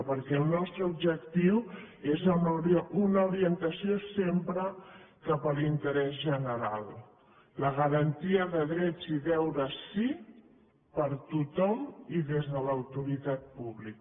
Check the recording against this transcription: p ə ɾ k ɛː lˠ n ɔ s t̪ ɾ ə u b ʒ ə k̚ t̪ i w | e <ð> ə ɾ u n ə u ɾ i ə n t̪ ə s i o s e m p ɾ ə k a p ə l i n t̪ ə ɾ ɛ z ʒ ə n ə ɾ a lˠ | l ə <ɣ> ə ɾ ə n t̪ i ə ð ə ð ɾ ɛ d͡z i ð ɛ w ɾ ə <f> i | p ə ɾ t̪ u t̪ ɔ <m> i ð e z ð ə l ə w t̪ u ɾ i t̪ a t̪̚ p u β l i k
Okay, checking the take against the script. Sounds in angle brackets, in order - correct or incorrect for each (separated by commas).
incorrect, correct, incorrect, correct